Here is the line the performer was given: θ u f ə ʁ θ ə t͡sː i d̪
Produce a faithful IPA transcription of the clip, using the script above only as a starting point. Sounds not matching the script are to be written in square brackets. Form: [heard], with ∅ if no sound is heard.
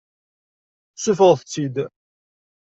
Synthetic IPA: [s] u f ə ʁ θ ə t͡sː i d̪